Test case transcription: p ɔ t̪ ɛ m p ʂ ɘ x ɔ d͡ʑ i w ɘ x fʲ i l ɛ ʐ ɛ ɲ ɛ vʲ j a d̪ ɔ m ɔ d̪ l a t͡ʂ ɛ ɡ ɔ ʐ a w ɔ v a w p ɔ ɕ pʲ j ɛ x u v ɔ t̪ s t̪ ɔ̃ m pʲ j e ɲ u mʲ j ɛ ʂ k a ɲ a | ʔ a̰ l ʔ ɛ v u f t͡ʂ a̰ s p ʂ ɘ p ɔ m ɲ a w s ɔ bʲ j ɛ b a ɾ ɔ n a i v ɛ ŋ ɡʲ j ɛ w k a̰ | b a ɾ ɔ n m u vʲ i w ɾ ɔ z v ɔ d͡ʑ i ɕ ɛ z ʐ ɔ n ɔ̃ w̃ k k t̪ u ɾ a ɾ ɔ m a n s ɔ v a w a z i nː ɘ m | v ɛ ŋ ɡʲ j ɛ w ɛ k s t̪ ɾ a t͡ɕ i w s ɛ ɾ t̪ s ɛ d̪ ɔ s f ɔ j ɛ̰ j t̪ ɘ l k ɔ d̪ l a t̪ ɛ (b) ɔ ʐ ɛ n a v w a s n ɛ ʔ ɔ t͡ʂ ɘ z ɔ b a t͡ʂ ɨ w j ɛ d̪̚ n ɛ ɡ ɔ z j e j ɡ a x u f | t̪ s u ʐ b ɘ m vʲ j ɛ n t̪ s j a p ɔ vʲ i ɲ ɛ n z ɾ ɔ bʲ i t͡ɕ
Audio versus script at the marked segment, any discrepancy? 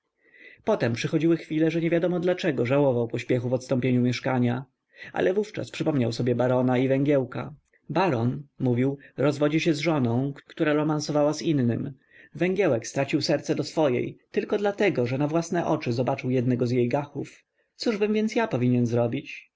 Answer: yes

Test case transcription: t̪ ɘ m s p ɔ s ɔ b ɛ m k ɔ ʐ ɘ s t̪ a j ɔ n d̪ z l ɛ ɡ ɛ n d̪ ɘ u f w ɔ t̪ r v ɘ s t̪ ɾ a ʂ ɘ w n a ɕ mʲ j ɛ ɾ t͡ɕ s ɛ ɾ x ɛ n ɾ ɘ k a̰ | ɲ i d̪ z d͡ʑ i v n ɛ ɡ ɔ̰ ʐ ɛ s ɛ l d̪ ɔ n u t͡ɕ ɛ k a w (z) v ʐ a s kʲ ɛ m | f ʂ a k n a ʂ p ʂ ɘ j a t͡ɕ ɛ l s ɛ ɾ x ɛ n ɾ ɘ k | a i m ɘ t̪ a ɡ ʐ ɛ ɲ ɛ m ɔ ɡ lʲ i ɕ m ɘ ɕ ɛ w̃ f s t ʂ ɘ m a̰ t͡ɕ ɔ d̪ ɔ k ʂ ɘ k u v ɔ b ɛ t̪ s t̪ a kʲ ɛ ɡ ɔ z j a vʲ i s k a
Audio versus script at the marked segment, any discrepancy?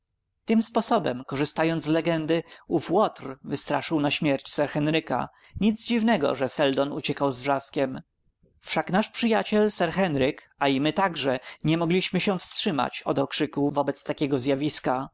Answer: no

